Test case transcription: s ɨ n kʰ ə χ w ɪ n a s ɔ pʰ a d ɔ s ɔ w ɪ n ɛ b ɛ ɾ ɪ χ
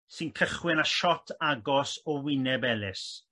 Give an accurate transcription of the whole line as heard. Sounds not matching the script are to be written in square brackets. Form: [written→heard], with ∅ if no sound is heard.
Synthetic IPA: s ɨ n kʰ ə χ w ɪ n a [s→ʃ] ɔ [pʰ→tʰ] a [d→ɡ] ɔ s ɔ w ɪ n ɛ b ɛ [ɾ→l] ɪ [χ→s]